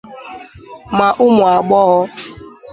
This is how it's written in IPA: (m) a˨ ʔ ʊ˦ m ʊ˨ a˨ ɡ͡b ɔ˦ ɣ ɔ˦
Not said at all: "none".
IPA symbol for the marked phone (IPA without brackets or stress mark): m